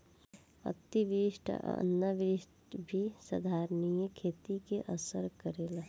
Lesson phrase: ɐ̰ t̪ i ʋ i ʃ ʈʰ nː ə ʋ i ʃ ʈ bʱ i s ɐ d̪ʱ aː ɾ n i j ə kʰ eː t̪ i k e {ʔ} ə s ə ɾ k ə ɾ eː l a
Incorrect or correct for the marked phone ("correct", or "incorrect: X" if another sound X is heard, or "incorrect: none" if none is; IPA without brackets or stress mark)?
correct